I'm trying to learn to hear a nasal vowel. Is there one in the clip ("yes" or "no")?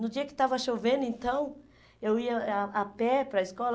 yes